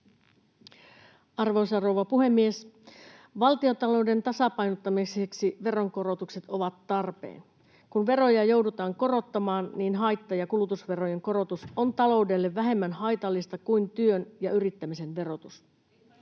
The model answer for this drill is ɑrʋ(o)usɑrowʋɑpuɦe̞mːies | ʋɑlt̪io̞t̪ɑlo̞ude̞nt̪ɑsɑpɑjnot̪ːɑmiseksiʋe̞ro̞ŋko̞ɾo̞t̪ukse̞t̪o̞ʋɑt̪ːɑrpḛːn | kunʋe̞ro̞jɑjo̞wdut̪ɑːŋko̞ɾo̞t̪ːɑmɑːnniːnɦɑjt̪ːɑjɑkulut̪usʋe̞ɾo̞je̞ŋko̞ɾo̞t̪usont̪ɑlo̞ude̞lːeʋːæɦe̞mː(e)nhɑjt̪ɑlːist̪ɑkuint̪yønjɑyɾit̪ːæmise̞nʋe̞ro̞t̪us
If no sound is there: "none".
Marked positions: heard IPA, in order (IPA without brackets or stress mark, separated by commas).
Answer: o, æ